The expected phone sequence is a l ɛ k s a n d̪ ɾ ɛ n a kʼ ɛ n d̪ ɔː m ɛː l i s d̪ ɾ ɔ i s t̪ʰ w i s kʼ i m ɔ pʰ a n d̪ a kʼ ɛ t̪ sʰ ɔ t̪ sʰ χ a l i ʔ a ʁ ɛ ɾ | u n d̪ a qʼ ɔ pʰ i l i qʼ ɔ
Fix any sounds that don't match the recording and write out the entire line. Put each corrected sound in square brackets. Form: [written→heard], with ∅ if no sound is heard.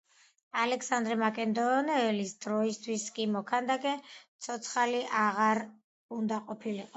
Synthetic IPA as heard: a l ɛ k s a n d̪ ɾ ɛ [n→m] a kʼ ɛ n d̪ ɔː [m→n] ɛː l i s d̪ ɾ ɔ i s t̪ʰ w i s kʼ i m ɔ [pʰ→kʰ] a n d̪ a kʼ ɛ t̪ sʰ ɔ t̪ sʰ χ a l i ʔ a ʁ [ɛ→a] ɾ | u n d̪ a qʼ ɔ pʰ i l i qʼ ɔ